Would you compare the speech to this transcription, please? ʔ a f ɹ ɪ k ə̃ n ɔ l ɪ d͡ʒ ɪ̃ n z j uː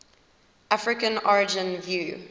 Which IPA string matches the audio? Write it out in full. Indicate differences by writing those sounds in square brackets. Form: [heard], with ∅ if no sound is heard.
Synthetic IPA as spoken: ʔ a f ɹ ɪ k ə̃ n ɔ [ɹ] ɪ d͡ʒ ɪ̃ n [v] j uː